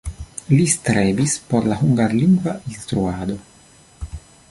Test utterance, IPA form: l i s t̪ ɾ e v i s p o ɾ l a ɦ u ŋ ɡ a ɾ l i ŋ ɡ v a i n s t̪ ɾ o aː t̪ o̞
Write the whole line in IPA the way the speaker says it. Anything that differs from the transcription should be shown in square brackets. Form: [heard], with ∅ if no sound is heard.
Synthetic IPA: l i s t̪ ɾ e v i s p o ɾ l a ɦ u ŋ ɡ a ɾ l i ŋ ɡ v a i n s t̪ ɾ [u] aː [d̪] o̞